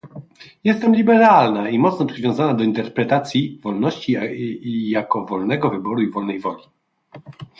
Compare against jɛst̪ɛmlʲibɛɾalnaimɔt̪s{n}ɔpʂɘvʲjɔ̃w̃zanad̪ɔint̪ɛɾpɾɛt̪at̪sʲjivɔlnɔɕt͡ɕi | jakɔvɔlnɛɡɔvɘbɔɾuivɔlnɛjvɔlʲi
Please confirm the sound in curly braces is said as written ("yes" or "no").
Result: yes